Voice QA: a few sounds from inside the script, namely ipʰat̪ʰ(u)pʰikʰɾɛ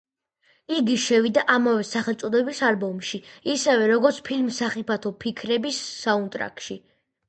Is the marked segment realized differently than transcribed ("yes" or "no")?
yes